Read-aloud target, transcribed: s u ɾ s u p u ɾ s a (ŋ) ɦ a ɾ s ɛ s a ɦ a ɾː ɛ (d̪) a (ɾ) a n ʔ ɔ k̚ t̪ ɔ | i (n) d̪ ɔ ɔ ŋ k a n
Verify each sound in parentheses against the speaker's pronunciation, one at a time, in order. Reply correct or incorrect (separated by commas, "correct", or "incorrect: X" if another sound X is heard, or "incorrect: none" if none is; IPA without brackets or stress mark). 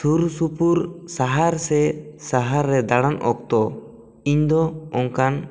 incorrect: none, correct, incorrect: ɽ, incorrect: ɲ